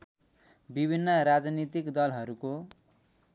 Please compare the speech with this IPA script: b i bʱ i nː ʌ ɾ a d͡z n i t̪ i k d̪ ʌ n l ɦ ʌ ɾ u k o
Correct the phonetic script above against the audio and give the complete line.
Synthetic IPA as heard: b i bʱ i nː ʌ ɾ a d͡z n i t̪ i k d̪ ʌ l ɦ ʌ ɾ u k o